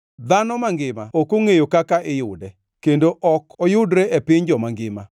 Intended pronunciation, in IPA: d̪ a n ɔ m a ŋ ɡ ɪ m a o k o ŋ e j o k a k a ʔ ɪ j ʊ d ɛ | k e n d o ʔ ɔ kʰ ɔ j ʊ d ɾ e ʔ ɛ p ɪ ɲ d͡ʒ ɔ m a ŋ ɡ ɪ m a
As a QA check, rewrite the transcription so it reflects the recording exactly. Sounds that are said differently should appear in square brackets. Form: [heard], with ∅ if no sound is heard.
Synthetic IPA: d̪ a n ɔ m a ŋ ɡ ɪ m a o k o ŋ e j o k a k a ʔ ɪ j ʊ d ɛ | k e n d o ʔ ɔ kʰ ɔ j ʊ d ɾ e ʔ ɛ p ɪ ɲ d͡ʒ ɔ m a ŋ ɡ ɪ m a